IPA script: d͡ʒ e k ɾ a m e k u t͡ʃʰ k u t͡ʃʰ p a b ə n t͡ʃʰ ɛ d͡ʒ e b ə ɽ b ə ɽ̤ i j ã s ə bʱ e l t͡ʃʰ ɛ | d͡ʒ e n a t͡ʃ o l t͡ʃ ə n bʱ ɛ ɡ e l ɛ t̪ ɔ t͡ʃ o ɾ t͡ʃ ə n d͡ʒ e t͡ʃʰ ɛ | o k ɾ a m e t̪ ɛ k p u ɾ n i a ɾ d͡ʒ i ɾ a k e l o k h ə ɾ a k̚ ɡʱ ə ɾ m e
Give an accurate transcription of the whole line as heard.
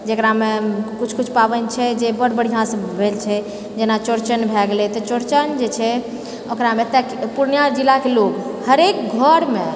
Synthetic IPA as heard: d͡ʒ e k ɾ a m e k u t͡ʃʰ k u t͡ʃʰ p a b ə n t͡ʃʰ ɛ d͡ʒ e b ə ɽ b ə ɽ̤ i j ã s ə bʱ e l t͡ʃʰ ɛ | d͡ʒ e n a t͡ʃ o ɾ t͡ʃ ə n bʱ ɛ ɡ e l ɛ t̪ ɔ t͡ʃ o ɾ t͡ʃ ə n d͡ʒ e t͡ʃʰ ɛ | o k ɾ a m e t̪ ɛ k p u ɾ n j a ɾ d͡ʒ i l a k e l o k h ə ɾ e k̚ ɡʱ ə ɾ m e

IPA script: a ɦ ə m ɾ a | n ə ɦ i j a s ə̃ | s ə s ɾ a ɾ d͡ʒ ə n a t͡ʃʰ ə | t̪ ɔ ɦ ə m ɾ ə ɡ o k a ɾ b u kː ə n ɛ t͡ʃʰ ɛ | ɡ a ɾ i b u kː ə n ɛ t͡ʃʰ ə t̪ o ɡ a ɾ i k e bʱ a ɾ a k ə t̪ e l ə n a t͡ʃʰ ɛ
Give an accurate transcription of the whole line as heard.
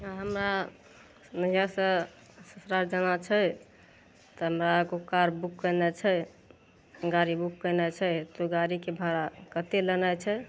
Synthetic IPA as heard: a ɦ ə m ɾ a | n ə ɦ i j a s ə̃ | s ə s ɾ a ɾ d͡ʒ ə n a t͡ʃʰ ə | t̪ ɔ ɦ ə m ɾ a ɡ o k a ɾ b u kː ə n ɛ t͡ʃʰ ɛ | ɡ a ɾ i b u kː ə n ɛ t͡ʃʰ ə t̪ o ɡ a ɾ i k e bʱ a ɾ a k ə t̪ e l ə n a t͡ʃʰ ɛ

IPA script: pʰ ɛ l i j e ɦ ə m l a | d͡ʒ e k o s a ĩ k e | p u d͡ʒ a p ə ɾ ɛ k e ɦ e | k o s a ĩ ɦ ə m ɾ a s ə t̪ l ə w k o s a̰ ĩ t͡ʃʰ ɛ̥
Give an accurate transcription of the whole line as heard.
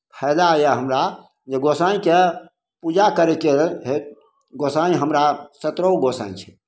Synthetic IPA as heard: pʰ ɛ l a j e ɦ ə m ɾ a | d͡ʒ e ɡ o s a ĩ k e | p u d͡ʒ a k ə ɾ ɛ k e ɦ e | ɡ o s a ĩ ɦ ə m ɾ a s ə t̪ ɾ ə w ɡ o s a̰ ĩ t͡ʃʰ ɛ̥

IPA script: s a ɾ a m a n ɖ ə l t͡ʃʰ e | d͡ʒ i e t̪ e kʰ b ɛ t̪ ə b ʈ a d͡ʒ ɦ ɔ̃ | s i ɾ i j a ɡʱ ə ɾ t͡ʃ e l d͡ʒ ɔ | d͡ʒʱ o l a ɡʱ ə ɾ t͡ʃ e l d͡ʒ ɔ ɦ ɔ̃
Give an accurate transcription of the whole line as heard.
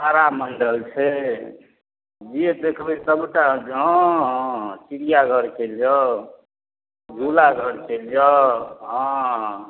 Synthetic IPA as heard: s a ɾ a m ə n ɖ ə l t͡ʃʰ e | d͡ʒ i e d̪ e kʰ b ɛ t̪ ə b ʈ a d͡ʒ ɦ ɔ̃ | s i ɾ i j a ɡʱ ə ɾ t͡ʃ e l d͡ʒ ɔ | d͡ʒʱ u l a ɡʱ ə ɾ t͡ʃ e l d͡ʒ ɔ ɦ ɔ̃

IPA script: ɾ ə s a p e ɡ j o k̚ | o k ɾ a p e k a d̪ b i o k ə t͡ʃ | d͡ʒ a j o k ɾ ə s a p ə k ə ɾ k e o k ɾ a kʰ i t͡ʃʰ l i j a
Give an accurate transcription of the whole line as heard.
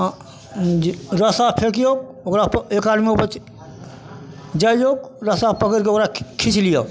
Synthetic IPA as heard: ɾ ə s a pʰ e k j o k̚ | o k ɾ a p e k a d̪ m i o p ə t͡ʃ | d͡ʒ a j o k ɾ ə s a p ə k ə ɾ k e o k ɾ a kʰ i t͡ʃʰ l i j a

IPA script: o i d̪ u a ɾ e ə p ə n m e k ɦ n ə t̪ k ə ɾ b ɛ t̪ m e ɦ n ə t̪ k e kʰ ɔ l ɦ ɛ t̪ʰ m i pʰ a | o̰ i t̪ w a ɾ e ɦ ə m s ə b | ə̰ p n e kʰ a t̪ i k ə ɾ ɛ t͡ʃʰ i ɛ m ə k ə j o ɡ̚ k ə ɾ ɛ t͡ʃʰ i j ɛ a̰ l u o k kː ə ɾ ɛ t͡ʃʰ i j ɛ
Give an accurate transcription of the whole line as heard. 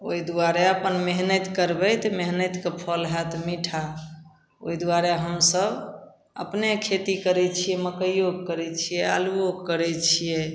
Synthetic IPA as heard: o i d̪ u a ɾ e ə p ə n m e ɦ n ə t̪ k ə ɾ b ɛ t̪ m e ɦ n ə t̪ k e pʰ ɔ l ɦ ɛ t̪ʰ m i ʈʰ a | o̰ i d̪ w a ɾ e ɦ ə m s ə b | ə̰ p n e kʰ e t̪ i k ə ɾ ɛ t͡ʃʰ i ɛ m ə k ə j o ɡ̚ k ə ɾ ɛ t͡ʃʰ i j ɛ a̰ l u o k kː ə ɾ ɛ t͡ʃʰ i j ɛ

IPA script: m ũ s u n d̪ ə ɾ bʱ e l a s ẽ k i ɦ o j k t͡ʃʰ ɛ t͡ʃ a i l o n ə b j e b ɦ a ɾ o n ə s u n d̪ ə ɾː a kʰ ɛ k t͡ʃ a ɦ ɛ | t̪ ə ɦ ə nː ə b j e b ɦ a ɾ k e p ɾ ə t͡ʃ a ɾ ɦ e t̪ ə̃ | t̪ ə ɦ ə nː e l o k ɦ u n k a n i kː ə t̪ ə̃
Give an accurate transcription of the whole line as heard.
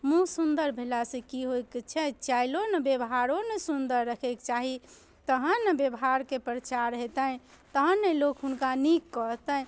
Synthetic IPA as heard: m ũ s u n d̪ ə ɾ bʱ e l a s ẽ k i ɦ o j k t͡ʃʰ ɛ t͡ʃ a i l o n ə b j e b ɦ a ɾ o n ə s u n d̪ ə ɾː ə kʰ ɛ k t͡ʃ a ɦ i | t̪ ə ɦ ə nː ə b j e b ɦ a ɾ k e p ɾ ə t͡ʃ a ɾ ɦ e t̪ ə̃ | t̪ ə ɦ ə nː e l o k ɦ u n k a n i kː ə t̪ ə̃

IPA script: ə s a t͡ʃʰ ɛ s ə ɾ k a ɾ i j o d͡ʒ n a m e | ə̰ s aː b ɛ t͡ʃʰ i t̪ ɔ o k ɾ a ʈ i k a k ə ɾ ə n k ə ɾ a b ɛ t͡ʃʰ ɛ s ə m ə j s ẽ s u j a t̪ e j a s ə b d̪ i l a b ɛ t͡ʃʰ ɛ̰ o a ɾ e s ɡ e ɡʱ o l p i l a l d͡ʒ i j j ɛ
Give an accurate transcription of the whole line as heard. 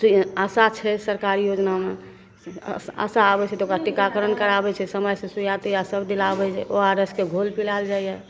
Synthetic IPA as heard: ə s a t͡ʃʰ ɛ s ə ɾ k a ɾ i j o d͡ʒ n a m e | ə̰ s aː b ɛ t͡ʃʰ ɛ t̪ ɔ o k ɾ a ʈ i k a k ə ɾ ə n k ə ɾ a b ɛ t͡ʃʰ ɛ s ə m ə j s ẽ s u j a t̪ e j a s ə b d̪ i l a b ɛ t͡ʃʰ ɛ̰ o a ɾ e s k e ɡʱ o l p i l a l d͡ʒ a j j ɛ

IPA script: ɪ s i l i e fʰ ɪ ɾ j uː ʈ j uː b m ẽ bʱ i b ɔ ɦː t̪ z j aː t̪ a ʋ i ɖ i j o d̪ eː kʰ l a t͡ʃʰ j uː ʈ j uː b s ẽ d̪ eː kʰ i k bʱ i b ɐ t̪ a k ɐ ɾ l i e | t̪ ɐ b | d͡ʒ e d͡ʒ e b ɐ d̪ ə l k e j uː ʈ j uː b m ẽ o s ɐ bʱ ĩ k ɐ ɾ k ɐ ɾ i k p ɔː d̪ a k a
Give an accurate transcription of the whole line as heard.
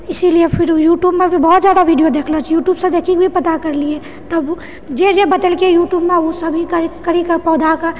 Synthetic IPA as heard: ɪ s i l i e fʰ ɪ ɾ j uː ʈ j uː b m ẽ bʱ i b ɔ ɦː t̪ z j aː d̪ a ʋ i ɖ i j o d̪ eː kʰ l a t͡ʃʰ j uː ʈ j uː b s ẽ d̪ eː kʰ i k bʱ i p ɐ t̪ a k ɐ ɾ l i e | t̪ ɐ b | d͡ʒ e d͡ʒ e b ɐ d̪ ə l k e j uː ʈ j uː b m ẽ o s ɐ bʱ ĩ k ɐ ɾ k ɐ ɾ i k p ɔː d̪ a k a

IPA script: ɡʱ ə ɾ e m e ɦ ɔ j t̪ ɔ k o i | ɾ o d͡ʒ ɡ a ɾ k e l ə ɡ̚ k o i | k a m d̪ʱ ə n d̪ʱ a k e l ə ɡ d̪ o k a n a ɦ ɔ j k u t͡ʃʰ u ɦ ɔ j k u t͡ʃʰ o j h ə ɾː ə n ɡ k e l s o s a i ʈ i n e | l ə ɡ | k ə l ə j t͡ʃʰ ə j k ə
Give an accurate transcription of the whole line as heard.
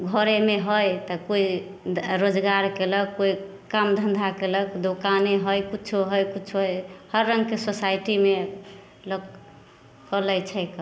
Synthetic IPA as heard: ɡʱ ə ɾ e m e ɦ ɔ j t̪ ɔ k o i | ɾ o d͡ʒ ɡ a ɾ k e l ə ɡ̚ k o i | k a m d̪ʱ ə n d̪ʱ a k e l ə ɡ d̪ o k a n e ɦ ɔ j k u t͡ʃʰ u ɦ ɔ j k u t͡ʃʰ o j h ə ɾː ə ŋ ɡ k e s o s a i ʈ i m e | l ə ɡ | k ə l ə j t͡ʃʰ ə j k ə

